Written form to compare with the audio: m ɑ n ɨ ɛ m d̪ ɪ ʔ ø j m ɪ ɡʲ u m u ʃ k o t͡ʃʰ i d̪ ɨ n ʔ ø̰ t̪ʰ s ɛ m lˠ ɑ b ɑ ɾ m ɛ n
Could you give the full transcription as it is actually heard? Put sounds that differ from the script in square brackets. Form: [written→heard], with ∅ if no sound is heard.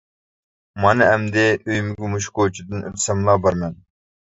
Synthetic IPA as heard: m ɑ n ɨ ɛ m d̪ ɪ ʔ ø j m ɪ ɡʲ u m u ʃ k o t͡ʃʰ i d̪ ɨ n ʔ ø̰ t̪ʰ s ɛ m lˠ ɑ b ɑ ɾ m ɛ n